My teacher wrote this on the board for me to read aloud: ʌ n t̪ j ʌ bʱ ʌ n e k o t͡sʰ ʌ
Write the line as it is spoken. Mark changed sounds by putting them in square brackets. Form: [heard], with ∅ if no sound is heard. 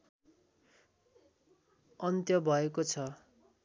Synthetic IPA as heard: ʌ n t̪ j ʌ bʱ ʌ [∅] e k o t͡sʰ ʌ